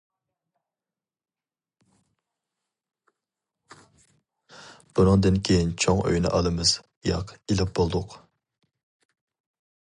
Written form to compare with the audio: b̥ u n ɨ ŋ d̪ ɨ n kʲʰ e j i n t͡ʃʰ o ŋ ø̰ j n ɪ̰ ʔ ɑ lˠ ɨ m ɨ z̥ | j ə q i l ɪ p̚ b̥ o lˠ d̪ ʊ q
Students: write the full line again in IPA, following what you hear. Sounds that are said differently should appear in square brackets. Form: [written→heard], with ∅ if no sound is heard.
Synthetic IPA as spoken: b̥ u n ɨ ŋ d̪ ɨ n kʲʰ e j i n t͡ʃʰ o ŋ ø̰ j n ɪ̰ ʔ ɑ lˠ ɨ m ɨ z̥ | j [ə→ɑ] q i l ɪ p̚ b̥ o lˠ d̪ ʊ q